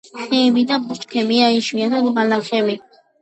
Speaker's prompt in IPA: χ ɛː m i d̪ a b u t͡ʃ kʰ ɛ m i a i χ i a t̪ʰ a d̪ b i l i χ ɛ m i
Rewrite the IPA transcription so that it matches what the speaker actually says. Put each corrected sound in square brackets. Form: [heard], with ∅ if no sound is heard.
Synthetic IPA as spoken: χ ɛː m i d̪ a b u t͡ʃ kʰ ɛ m i a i [ʃ] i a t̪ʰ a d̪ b [a] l [a] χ ɛ m i